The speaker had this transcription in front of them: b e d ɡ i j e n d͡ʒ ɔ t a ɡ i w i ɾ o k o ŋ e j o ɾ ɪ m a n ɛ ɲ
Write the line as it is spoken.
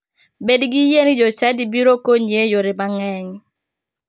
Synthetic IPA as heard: b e d ɡ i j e n d͡ʒ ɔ t͡ʃ a d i b i ɾ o k o ɲ e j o ɾ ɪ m a ŋ ɛ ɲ